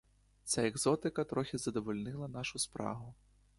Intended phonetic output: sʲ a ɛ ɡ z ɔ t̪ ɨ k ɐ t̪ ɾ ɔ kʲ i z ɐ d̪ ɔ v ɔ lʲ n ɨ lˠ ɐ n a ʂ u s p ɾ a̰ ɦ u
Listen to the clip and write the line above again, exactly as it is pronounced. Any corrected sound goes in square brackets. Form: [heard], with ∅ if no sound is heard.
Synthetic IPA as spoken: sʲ a ɛ ɡ z ɔ t̪ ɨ k ɐ t̪ ɾ ɔ [xʲ] i z ɐ d̪ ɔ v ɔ lʲ n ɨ lˠ ɐ n a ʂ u s p ɾ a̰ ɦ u